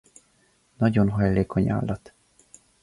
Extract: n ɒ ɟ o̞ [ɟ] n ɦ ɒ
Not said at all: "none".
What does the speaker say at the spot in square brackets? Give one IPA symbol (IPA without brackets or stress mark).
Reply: none